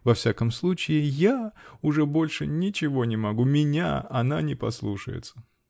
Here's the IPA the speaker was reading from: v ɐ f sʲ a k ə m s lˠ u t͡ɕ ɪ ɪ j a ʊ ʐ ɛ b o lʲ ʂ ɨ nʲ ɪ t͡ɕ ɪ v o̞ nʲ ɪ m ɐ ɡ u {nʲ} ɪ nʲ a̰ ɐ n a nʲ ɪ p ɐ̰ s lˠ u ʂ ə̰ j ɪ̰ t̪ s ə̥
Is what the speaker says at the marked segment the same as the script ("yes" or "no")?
no